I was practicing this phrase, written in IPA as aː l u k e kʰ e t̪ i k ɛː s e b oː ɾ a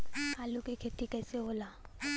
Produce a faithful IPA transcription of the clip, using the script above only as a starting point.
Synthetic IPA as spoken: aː l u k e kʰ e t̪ i k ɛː s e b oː l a